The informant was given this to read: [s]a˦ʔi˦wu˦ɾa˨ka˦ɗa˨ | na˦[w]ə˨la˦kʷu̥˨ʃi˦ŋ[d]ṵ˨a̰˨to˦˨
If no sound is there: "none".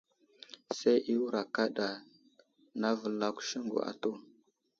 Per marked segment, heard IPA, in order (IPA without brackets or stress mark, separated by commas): s, v, ɡ